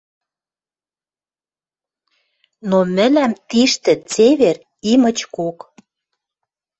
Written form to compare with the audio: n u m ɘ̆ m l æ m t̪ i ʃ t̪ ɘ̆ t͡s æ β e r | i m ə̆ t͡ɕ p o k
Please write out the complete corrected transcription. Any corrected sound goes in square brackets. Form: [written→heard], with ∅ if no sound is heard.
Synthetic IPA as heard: n [u→o] m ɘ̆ [m→∅] l æ m t̪ i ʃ t̪ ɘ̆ t͡s [æ→e] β e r | i m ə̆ t͡ɕ [p→k] o k